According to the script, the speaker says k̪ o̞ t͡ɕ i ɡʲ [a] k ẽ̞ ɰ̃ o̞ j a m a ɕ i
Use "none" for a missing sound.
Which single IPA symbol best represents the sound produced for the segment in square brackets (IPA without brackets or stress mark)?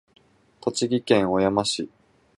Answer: i